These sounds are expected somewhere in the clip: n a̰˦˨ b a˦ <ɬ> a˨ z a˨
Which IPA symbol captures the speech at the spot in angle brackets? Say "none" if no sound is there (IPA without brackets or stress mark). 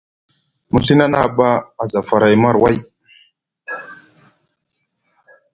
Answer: none